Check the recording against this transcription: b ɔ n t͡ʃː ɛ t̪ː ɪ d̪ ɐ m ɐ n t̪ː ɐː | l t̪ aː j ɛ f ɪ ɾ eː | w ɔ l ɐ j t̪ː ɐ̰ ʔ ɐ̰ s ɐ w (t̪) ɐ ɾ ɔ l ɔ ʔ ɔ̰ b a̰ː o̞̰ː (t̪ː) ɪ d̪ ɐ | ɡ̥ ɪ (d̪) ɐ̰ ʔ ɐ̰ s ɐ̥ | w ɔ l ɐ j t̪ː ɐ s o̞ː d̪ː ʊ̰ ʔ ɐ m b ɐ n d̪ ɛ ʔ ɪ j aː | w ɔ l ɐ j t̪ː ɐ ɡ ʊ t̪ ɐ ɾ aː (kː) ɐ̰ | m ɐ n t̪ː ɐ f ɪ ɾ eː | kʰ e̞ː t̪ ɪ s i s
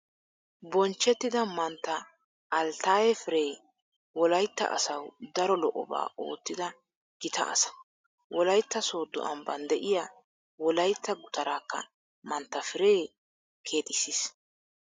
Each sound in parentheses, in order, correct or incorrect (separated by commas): incorrect, correct, incorrect, correct